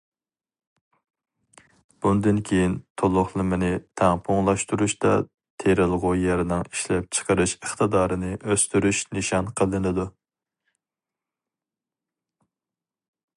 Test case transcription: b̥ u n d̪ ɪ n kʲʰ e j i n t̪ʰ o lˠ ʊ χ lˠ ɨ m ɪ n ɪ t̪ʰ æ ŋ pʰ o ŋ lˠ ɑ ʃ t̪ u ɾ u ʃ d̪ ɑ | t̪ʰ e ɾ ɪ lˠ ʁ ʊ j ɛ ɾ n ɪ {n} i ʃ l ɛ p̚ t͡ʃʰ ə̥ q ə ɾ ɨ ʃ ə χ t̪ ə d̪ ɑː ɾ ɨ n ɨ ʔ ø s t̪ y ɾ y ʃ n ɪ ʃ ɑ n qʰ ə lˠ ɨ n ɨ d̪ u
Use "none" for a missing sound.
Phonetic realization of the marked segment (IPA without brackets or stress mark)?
ŋ